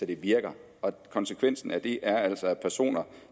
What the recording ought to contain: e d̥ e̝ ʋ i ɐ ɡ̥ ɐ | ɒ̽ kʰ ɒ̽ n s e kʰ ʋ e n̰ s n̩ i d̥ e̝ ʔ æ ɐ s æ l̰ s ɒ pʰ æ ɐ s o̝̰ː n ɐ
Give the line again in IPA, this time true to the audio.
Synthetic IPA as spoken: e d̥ e̝ ʋ i ɐ ɡ̥ ɐ | ɒ̽ kʰ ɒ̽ n s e kʰ ʋ e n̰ s n̩ æ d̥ e̝ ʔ æ ɐ æ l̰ s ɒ pʰ æ ɐ s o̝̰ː n ɐ